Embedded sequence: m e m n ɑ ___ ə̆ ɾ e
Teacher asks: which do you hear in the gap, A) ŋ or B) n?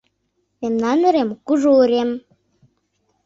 B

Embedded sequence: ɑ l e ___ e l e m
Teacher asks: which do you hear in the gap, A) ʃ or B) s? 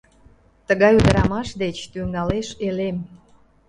A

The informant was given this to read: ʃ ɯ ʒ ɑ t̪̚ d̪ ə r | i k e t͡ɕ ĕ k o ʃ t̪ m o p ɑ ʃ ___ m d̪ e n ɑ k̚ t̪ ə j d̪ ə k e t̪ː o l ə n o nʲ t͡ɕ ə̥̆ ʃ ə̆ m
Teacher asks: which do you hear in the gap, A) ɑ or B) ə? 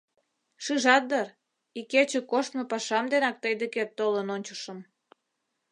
A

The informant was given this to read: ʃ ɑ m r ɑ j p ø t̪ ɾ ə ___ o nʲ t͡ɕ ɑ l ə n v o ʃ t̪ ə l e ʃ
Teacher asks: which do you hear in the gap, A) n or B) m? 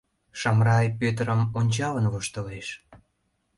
B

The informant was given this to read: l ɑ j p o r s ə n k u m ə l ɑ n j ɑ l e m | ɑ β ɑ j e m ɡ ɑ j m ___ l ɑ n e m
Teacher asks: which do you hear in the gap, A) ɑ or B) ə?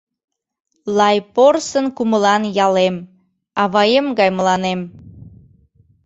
B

